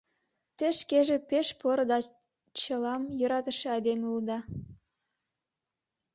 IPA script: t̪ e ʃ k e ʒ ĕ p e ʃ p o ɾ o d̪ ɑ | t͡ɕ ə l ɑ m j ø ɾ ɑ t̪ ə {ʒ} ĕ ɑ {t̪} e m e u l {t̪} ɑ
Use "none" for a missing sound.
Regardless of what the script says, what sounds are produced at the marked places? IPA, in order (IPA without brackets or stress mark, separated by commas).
ʃ, d̪, d̪